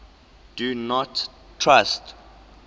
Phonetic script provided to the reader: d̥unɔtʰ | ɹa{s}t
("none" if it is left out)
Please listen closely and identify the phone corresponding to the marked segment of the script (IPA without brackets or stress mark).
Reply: s